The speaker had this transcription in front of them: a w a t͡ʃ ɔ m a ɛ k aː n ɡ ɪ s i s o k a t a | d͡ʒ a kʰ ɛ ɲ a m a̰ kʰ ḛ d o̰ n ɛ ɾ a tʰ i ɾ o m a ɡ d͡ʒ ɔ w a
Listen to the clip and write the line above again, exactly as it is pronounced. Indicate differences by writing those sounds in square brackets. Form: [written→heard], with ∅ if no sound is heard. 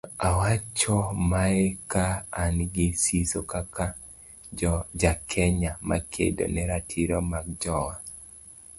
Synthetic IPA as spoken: a w a t͡ʃ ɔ m a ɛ k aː n ɡ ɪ s i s o k a [t→k] a | d͡ʒ a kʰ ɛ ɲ a m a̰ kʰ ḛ d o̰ n ɛ ɾ a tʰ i ɾ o m a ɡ d͡ʒ ɔ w a